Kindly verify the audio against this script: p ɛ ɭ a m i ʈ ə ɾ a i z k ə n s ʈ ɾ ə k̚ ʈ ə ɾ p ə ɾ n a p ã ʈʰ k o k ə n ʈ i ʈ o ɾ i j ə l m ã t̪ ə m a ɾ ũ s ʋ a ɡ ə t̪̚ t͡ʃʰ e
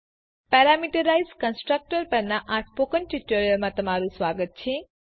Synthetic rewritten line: p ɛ ɾ a m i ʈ ə ɾ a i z k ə n s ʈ ɾ ə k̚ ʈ ə ɾ p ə ɾ n a ʔ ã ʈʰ p o k ə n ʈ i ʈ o ɾ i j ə l m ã t̪ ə m a ɾ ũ s ʋ a ɡ ə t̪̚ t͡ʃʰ e